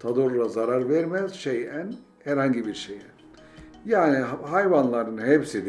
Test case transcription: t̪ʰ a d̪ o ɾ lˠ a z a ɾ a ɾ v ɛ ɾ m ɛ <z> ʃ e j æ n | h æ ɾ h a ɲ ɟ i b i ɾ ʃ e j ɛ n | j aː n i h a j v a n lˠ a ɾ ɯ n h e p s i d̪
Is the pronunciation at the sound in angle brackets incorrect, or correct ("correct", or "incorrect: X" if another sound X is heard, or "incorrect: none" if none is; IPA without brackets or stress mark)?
correct